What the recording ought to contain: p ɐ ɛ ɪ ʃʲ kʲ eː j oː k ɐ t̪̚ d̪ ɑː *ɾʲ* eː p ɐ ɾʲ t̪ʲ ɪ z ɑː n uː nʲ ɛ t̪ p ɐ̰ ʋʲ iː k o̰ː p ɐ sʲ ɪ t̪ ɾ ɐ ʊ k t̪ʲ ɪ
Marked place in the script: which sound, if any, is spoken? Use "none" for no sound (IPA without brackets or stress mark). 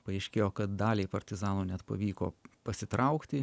lʲ